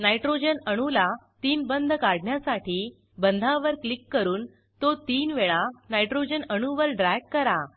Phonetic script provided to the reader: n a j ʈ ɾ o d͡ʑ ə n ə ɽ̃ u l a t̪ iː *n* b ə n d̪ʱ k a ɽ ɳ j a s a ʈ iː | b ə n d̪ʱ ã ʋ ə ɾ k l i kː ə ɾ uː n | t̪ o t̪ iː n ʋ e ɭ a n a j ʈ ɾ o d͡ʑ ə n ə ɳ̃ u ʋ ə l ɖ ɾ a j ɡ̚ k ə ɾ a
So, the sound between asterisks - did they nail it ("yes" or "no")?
yes